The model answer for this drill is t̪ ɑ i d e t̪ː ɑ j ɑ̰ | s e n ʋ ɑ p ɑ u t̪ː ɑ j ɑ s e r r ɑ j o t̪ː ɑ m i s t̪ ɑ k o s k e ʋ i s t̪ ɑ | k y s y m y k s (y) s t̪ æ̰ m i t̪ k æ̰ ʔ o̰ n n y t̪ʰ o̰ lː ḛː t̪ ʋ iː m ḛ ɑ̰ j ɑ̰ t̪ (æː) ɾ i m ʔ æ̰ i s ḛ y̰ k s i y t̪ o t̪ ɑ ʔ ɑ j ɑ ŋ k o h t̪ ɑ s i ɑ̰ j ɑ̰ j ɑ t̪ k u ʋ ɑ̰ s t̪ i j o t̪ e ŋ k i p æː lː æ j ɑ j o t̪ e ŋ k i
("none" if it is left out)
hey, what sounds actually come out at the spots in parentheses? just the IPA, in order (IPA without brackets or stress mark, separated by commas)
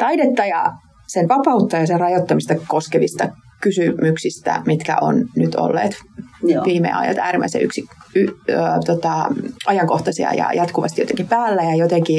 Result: i, æː